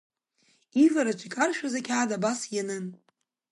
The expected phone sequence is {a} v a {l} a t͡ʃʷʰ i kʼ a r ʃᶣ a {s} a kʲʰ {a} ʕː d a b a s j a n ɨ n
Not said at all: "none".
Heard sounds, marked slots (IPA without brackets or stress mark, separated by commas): i, ɾ, z, a